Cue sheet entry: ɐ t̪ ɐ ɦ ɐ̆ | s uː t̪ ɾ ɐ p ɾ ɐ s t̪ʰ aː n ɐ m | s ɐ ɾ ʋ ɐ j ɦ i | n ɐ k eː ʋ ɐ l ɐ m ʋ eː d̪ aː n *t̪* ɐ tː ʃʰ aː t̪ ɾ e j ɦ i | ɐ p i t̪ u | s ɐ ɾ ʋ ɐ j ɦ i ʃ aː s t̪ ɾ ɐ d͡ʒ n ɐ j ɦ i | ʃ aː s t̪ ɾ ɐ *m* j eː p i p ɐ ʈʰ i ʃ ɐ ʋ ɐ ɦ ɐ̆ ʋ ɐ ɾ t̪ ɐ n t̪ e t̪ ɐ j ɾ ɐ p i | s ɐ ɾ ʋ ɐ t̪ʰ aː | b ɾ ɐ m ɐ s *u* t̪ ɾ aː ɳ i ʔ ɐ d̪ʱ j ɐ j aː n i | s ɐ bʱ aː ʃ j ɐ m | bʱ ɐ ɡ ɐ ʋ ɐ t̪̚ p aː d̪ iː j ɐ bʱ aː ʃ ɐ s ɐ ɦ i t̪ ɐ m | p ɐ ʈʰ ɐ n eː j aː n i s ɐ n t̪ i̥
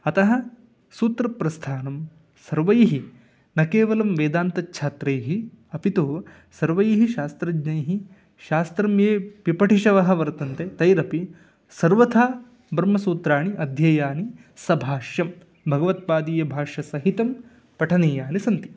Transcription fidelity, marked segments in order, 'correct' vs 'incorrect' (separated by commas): correct, correct, incorrect